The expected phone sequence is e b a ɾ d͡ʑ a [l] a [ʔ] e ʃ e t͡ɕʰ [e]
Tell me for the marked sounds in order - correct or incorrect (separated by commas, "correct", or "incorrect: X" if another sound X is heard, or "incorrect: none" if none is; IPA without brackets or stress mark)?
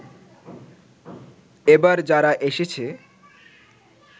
incorrect: ɾ, correct, correct